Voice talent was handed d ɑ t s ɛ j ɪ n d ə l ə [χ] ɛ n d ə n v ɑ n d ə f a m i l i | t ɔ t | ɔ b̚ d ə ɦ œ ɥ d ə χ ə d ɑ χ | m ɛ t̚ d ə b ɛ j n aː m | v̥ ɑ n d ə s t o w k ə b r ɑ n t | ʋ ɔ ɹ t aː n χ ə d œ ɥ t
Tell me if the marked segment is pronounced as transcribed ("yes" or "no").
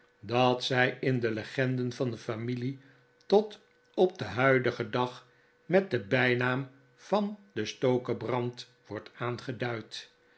yes